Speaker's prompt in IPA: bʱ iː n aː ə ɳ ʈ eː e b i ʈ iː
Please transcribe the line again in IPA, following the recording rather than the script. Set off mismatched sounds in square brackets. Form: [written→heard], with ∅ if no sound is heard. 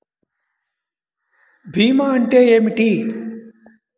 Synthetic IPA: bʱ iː [n→m] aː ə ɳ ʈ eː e [b→m] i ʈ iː